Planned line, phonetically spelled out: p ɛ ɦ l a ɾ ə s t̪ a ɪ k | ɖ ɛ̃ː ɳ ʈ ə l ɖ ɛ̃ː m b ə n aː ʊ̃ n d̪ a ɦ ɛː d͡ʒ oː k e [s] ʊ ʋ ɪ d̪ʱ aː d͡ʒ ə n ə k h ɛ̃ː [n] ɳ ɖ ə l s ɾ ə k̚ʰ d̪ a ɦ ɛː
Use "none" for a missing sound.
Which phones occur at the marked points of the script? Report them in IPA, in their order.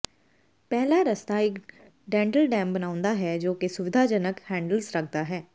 s, none

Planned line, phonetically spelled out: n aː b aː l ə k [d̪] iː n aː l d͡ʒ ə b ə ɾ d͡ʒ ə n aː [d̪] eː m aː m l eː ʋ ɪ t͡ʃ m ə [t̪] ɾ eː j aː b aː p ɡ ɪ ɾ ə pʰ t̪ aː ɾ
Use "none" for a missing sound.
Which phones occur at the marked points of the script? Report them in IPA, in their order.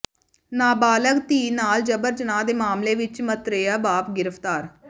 t̪, d̪, t̪

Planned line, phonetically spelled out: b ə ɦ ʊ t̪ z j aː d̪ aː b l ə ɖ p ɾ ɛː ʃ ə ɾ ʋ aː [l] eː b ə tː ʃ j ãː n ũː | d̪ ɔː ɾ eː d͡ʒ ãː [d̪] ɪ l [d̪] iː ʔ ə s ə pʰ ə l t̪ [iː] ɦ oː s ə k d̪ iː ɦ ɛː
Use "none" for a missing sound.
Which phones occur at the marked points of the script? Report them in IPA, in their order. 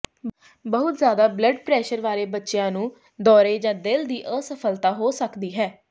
ɾ, d̪, d̪, aː

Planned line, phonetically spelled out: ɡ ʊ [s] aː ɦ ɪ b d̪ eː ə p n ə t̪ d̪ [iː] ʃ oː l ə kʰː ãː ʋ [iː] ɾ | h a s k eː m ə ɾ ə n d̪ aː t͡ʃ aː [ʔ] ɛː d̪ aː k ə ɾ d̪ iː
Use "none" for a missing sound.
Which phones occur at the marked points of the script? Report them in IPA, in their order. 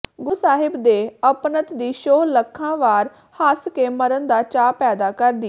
s, iː, aː, p

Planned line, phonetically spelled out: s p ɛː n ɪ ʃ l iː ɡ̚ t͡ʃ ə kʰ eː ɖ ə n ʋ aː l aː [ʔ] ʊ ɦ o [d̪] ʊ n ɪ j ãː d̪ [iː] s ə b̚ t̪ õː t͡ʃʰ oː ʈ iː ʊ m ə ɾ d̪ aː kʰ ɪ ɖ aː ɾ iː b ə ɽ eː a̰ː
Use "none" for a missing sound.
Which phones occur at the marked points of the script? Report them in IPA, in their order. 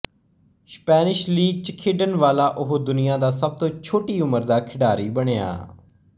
ʔ, d̪, aː

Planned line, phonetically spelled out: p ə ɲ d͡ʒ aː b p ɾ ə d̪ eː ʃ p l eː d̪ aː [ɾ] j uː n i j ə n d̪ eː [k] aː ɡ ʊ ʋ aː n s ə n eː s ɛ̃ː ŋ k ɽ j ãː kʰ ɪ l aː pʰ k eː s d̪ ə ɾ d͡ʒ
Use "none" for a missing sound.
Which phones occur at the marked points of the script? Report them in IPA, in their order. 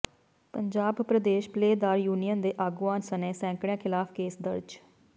ɾ, ʔ

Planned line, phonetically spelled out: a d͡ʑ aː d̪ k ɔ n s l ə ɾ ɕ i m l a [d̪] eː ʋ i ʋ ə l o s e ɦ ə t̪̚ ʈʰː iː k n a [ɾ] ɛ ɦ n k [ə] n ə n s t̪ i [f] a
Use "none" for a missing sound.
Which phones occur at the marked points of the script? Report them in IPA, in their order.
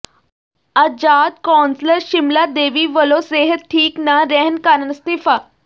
d̪, ɾ, a, f

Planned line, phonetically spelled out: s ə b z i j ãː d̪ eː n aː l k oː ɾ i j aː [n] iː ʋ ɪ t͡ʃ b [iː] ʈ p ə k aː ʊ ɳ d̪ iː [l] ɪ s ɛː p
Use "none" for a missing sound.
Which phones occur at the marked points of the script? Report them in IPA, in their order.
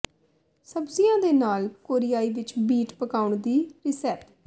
none, iː, ɾ

